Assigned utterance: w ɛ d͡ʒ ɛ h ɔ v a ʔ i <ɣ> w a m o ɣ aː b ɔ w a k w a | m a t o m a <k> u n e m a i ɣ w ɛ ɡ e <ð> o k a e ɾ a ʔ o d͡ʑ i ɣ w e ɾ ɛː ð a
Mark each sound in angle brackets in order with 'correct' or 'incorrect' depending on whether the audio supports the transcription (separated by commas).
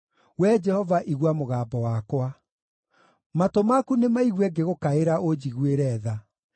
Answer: correct, correct, incorrect